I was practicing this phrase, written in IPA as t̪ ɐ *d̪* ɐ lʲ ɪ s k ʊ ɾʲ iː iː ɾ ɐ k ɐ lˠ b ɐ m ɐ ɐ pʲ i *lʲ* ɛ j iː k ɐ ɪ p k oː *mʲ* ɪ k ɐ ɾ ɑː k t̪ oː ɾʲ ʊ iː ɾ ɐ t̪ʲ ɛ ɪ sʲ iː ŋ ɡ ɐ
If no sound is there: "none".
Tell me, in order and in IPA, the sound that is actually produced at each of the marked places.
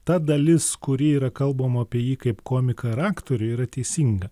d̪, none, mʲ

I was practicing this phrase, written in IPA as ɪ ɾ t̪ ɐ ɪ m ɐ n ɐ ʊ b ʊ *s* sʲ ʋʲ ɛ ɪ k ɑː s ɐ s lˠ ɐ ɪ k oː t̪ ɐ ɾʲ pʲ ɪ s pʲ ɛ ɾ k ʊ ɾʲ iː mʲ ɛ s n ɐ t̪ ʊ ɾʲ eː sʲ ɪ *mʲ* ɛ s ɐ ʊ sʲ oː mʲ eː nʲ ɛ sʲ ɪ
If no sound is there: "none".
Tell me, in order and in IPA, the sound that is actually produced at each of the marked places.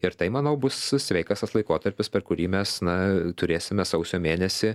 s, mʲ

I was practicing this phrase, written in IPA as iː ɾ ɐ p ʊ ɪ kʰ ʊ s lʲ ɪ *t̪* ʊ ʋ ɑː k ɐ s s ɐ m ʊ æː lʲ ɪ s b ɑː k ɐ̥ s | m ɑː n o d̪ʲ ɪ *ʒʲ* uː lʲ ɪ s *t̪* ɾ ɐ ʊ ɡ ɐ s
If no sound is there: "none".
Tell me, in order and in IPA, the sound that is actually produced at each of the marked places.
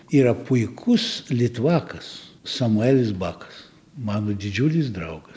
t̪, d͡ʒʲ, d̪

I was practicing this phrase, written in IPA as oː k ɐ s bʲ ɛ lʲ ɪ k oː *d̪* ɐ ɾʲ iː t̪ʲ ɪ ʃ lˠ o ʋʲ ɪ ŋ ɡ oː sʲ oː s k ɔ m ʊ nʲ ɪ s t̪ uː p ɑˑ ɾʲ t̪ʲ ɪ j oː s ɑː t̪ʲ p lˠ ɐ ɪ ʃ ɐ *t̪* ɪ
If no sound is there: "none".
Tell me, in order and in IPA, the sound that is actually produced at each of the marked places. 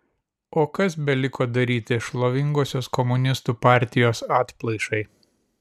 d̪, none

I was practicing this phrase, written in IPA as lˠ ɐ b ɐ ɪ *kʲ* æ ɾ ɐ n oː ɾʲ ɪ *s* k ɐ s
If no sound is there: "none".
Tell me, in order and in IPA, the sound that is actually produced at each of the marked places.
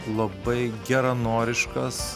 ɡʲ, ʃ

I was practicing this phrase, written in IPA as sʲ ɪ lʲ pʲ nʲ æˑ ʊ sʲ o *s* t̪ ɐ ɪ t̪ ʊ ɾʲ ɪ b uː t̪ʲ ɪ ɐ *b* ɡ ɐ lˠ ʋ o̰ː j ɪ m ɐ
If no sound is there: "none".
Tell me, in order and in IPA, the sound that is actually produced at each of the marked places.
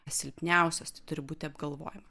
s, b

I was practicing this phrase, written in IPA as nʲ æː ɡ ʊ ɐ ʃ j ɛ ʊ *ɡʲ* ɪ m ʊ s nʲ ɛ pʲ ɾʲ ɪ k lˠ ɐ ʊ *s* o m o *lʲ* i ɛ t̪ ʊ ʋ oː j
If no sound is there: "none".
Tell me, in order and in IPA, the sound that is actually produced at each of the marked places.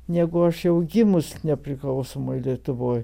ɡʲ, s, lʲ

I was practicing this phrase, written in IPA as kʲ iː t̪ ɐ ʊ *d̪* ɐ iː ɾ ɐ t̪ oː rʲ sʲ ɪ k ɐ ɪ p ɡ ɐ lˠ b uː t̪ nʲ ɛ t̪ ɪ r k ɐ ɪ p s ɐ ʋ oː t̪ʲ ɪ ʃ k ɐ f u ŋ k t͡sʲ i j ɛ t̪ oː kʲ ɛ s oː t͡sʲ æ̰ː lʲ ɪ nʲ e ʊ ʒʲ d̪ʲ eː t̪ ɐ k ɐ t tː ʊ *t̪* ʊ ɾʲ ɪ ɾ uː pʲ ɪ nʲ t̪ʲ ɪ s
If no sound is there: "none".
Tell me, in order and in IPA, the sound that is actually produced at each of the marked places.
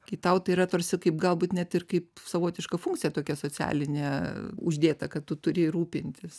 t̪, t̪

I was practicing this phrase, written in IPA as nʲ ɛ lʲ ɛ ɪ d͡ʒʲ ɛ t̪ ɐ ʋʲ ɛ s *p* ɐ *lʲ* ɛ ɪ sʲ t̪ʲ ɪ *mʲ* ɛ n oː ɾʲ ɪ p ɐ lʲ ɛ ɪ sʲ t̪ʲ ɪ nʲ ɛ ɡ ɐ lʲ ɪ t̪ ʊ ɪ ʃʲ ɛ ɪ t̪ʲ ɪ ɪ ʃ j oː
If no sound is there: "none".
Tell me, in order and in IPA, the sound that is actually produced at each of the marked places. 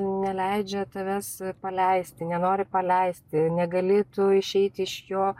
p, lʲ, nʲ

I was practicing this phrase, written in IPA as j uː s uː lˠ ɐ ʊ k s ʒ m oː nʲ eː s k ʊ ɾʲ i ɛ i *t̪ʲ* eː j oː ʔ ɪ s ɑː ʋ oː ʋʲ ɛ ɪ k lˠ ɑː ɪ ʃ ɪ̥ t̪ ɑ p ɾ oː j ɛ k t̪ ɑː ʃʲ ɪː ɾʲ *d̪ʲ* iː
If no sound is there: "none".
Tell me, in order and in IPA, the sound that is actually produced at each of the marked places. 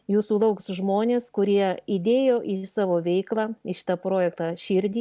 d̪ʲ, d̪ʲ

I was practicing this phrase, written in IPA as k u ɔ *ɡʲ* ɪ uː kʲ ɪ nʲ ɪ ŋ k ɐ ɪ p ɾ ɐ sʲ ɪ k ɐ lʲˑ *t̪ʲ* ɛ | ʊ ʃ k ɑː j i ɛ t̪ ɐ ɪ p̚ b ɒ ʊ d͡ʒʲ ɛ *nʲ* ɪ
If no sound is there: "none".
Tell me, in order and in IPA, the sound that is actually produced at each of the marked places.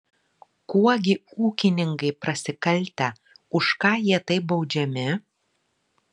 ɡʲ, t̪ʲ, mʲ

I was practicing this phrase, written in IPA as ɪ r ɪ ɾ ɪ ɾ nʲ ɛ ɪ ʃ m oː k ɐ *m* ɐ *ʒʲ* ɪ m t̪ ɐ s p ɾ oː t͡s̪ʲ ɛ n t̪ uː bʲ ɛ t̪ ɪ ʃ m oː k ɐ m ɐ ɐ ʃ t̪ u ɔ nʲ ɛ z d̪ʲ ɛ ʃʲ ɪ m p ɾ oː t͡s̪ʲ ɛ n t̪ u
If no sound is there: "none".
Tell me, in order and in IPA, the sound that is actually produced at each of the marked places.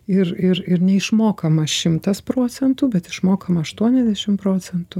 m, ʃʲ

